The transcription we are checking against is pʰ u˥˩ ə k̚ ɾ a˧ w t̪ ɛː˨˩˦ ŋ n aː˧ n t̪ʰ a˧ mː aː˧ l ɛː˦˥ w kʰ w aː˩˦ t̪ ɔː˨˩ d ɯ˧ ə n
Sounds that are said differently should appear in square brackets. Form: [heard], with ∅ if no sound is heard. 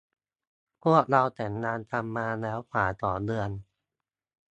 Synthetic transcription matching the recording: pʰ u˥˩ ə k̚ ɾ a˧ w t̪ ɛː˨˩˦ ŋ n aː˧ n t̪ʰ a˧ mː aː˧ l ɛː˦˥ w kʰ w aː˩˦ t̪ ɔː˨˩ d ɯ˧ ə n

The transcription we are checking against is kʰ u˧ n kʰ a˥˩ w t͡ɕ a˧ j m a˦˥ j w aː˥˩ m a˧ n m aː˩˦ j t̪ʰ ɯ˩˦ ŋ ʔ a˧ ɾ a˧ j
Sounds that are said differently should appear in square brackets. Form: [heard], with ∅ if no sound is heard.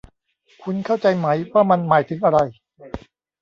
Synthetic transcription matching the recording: kʰ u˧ n kʰ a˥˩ w t͡ɕ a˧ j m a˦˥ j w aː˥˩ m a˧ n m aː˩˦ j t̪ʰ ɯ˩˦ ŋ ʔ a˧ ɾ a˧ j

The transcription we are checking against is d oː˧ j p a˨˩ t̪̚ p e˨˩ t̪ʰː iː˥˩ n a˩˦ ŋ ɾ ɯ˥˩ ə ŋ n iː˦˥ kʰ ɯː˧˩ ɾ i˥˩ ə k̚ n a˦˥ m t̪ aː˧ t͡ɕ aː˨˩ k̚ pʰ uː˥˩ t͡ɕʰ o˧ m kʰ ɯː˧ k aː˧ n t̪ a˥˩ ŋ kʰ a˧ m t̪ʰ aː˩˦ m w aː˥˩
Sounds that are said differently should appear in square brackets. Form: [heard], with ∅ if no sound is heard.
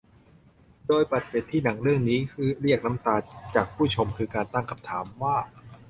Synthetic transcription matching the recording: d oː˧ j p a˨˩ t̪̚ p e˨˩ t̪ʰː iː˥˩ n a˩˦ ŋ ɾ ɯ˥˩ ə ŋ n iː˦˥ kʰ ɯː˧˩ ɾ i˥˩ ə k̚ n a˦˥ m t̪ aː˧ t͡ɕ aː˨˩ k̚ pʰ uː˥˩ t͡ɕʰ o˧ m kʰ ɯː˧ k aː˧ n t̪ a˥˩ ŋ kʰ a˧ m t̪ʰ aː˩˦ m w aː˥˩

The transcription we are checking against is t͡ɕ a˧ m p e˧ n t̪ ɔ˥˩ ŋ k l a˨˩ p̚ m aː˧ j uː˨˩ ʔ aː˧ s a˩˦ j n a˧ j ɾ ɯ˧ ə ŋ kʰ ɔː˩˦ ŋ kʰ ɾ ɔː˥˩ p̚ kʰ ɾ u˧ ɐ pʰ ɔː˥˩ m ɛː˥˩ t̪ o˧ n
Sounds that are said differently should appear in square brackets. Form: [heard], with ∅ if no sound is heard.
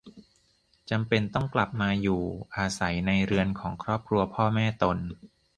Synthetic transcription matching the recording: t͡ɕ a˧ m p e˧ n t̪ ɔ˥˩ ŋ k l a˨˩ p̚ m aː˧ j uː˨˩ ʔ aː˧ s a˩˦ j n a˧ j ɾ ɯ˧ ə [n] kʰ ɔː˩˦ ŋ kʰ ɾ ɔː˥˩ p̚ kʰ ɾ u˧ ɐ pʰ ɔː˥˩ m ɛː˥˩ t̪ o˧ n

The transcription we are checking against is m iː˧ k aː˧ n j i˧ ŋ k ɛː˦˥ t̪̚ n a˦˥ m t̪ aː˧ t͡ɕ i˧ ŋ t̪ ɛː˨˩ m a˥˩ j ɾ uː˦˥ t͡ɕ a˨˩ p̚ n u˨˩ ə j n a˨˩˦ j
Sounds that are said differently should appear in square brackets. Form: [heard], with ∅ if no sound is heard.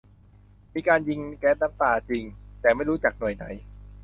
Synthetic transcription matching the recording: m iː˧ k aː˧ n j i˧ ŋ k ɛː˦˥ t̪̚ n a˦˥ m t̪ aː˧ t͡ɕ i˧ ŋ t̪ ɛː˨˩ m a˥˩ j ɾ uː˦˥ t͡ɕ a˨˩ [k̚] n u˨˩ ə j n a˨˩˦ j

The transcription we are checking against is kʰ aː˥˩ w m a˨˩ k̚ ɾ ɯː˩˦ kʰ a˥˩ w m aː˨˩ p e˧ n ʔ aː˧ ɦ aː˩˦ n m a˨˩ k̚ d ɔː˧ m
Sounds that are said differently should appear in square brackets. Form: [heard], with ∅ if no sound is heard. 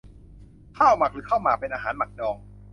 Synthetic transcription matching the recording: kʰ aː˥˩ w m a˨˩ k̚ ɾ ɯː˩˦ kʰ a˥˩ w m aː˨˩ p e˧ n ʔ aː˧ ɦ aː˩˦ n m a˨˩ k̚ d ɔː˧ [ŋ]

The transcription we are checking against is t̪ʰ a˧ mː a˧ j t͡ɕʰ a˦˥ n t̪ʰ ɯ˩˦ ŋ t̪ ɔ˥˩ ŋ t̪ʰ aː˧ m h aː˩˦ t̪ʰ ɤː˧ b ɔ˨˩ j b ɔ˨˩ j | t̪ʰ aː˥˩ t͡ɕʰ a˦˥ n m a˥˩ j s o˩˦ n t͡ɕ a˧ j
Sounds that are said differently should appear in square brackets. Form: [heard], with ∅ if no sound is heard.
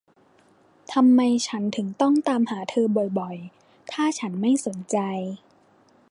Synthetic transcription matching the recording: t̪ʰ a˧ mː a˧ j t͡ɕʰ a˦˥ n t̪ʰ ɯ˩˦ ŋ t̪ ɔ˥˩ ŋ [t̪] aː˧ m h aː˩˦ t̪ʰ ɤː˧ b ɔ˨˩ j b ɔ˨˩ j | t̪ʰ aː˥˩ t͡ɕʰ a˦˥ n m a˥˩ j s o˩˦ n t͡ɕ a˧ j

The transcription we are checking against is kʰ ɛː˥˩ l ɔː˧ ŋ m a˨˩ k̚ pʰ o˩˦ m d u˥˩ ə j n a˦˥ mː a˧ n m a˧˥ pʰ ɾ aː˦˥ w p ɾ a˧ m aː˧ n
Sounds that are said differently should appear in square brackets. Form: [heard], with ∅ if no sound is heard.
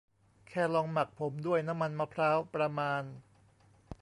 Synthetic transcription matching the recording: kʰ ɛː˥˩ l ɔː˧ ŋ m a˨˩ k̚ pʰ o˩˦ m d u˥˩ ə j n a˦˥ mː a˧ n m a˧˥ pʰ ɾ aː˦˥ w p ɾ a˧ m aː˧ n

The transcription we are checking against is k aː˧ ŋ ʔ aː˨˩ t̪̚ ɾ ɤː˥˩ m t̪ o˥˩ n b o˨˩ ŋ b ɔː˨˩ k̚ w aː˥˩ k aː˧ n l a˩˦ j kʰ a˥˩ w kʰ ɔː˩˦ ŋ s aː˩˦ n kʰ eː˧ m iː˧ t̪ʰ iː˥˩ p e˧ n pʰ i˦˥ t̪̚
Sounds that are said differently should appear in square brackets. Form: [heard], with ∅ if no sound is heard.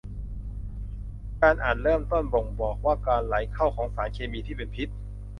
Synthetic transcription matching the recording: k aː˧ [n] ʔ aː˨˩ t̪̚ ɾ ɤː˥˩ m t̪ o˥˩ n b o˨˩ ŋ b ɔː˨˩ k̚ w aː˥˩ k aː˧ n l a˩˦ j kʰ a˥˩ w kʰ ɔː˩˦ ŋ s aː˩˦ n kʰ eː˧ m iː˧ t̪ʰ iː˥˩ p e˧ n pʰ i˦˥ t̪̚

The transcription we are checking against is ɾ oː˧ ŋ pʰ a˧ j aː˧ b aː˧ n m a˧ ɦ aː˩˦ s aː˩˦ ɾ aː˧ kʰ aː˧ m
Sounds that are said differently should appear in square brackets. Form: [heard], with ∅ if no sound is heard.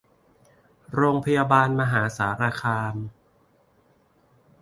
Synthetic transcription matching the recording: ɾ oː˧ ŋ pʰ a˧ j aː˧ b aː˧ n m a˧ ɦ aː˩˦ s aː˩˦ ɾ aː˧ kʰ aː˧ m

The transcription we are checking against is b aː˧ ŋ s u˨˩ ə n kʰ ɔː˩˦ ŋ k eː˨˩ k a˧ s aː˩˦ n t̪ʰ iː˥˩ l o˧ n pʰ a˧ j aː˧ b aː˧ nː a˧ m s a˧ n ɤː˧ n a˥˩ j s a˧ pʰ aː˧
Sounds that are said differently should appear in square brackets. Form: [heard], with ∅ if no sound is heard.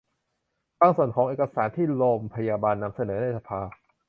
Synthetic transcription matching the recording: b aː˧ ŋ s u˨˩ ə n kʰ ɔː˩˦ ŋ [ʔ] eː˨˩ k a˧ s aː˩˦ n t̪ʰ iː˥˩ l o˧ [m] pʰ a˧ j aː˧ b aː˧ nː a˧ m s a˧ n [ɤː˩˦] n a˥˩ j s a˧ pʰ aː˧

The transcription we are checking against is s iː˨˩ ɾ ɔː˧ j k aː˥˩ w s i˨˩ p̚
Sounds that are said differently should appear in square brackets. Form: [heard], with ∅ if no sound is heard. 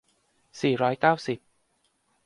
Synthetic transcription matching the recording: s iː˨˩ ɾ [ɔː˦˥] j k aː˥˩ w s i˨˩ p̚

